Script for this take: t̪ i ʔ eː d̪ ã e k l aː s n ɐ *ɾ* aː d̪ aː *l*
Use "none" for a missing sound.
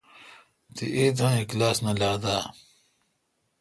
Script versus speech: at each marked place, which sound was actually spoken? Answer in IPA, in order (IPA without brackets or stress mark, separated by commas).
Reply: l, none